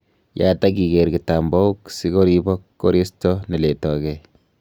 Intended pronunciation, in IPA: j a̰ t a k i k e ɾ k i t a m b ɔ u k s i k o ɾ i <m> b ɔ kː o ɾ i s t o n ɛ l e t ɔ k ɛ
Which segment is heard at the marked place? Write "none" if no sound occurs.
none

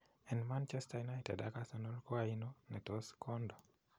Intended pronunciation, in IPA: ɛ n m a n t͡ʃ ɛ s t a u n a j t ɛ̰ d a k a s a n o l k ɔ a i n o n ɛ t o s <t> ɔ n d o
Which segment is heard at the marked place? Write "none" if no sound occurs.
k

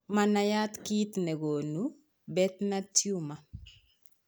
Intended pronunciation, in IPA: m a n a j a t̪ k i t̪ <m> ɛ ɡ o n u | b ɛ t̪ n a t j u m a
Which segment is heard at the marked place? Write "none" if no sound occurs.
n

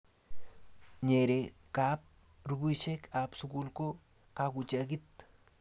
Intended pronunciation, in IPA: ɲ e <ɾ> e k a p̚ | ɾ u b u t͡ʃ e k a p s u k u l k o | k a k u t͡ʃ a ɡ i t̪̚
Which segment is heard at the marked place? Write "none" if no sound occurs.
ɾ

